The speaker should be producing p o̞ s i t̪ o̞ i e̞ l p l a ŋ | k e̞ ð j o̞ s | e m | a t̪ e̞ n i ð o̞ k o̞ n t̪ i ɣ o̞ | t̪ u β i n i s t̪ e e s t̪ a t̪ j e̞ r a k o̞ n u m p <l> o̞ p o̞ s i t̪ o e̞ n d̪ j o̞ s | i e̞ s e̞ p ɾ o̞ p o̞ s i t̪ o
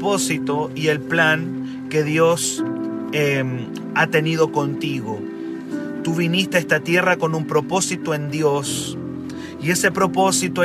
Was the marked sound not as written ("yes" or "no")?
yes